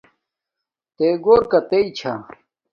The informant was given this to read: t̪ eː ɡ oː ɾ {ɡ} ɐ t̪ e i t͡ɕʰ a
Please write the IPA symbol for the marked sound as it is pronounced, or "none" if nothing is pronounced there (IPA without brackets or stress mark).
k